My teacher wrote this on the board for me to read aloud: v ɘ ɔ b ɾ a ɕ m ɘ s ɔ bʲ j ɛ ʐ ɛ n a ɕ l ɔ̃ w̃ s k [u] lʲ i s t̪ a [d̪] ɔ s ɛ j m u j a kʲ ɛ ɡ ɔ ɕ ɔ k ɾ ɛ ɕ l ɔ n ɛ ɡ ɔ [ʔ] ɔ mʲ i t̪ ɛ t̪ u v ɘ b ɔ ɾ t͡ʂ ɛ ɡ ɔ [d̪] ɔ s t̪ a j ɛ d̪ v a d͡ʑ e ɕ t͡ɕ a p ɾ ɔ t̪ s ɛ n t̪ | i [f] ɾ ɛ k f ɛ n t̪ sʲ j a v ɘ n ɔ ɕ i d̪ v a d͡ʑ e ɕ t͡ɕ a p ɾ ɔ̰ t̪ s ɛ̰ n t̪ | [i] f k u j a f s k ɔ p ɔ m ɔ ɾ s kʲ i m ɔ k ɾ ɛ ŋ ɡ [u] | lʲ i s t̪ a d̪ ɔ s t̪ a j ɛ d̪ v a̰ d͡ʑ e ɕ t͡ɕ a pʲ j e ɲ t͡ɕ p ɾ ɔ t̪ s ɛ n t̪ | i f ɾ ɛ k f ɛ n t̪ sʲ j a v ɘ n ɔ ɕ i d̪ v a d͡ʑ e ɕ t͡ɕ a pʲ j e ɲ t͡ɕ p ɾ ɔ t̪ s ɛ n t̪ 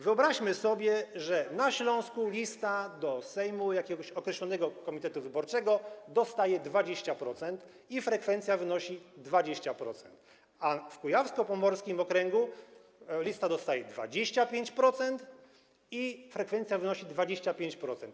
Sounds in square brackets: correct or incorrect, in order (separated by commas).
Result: correct, correct, incorrect, correct, correct, incorrect, correct